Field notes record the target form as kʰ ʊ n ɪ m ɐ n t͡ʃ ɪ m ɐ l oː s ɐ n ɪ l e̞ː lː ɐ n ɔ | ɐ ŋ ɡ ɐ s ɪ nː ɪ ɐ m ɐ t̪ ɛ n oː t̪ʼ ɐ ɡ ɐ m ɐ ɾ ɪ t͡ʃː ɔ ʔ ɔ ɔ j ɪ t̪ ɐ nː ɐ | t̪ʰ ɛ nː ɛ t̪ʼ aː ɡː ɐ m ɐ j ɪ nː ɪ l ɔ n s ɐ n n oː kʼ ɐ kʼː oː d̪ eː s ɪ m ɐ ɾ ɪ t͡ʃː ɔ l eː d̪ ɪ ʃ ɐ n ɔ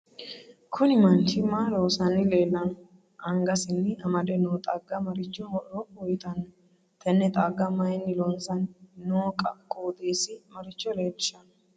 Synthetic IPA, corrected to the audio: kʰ ʊ n ɪ m ɐ n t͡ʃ ɪ m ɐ l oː s ɐ n ɪ l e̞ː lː ɐ n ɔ | ɐ ŋ ɡ ɐ s ɪ nː ɪ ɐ m ɐ d̪ ɛ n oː t̪ʼ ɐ ɡ ɐ m ɐ ɾ ɪ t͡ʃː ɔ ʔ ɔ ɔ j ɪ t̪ ɐ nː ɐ | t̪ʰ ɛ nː ɛ t̪ʼ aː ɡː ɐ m ɐ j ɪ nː ɪ l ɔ n s ɐ n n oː kʼ ɐ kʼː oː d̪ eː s ɪ m ɐ ɾ ɪ t͡ʃː ɔ l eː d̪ ɪ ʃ ɐ n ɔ